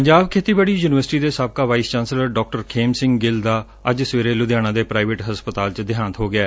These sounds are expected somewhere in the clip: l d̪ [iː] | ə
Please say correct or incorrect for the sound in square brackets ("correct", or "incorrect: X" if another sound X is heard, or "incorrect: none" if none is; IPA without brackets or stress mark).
incorrect: aː